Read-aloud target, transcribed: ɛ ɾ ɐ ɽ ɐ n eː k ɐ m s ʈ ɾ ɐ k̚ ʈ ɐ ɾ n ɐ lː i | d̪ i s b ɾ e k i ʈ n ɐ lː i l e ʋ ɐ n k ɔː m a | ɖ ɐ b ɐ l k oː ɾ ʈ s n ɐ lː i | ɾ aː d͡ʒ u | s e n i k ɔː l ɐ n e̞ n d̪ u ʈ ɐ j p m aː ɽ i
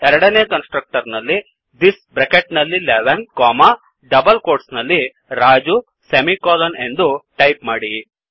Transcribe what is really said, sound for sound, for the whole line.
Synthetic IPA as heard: ɛ ɾ ɐ ɽ ɐ n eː k ɐ n s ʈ ɾ ɐ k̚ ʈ ɐ ɾ n ɐ lː i | d̪ i s b ɾ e k e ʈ n ɐ lː i l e ʋ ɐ n k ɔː m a | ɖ ɐ b ɐ l k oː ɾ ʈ s n ɐ lː i | ɾ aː d͡ʒ u | s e m i k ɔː l ɐ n e̞ n d̪ u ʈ ɐ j p m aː ɽ i